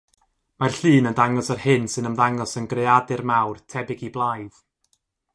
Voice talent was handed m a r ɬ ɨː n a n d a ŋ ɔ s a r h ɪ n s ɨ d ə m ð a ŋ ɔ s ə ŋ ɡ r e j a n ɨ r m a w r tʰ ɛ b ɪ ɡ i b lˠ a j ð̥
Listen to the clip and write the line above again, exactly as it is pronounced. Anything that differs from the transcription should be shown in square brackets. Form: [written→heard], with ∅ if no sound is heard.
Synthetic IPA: m a r ɬ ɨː n [a→ə] n d a ŋ ɔ s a r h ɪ n s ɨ [d→n] ə m ð a ŋ ɔ s ə [ŋ→n] ɡ r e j a [n→d] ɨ r m a w r tʰ ɛ b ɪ ɡ i b lˠ a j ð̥